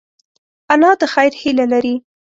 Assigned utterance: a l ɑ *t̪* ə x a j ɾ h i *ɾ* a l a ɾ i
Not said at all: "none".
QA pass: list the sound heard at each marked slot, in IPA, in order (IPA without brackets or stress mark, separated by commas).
d̪, l